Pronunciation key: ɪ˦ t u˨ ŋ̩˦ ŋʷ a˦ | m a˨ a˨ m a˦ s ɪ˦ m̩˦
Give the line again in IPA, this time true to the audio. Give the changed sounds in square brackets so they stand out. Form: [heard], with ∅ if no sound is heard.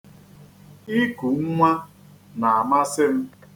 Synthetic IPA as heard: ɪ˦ [k] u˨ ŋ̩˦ ŋʷ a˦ | [n] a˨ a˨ m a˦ s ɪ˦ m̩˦